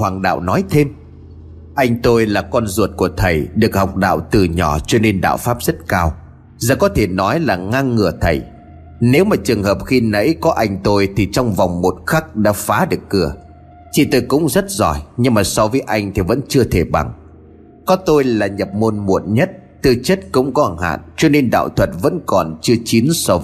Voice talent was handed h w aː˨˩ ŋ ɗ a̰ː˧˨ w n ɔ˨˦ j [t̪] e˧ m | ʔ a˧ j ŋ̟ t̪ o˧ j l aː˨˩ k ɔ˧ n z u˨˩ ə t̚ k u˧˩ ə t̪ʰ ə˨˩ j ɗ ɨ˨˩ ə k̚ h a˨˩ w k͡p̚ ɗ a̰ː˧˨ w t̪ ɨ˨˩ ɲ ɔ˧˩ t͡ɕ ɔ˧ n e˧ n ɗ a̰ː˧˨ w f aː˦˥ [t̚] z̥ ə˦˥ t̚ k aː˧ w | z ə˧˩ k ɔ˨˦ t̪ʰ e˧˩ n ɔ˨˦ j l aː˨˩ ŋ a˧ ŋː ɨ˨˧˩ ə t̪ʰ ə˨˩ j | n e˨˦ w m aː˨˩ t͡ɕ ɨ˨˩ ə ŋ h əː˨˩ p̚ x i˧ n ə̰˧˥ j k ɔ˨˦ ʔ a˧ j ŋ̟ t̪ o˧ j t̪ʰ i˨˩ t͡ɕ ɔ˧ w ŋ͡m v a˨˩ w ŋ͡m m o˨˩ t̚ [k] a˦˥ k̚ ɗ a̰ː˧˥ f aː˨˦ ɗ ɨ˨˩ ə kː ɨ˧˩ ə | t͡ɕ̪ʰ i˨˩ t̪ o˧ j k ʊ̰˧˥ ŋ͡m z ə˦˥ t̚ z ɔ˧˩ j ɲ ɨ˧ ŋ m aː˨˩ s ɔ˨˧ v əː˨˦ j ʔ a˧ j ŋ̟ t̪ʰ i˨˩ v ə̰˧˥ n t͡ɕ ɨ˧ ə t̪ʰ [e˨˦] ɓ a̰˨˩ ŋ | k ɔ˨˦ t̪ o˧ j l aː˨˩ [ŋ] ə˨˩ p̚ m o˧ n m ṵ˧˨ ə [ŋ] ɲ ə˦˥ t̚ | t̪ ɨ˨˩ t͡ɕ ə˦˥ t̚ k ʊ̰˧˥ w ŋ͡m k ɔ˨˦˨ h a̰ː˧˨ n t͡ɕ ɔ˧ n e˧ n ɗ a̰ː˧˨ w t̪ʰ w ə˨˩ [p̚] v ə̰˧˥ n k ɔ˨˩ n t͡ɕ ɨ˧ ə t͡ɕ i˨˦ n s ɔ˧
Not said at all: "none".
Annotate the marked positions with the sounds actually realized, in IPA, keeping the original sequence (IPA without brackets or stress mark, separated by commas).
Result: t̪ʰ, p̚, x, e˧˩, ɲ, n, t̚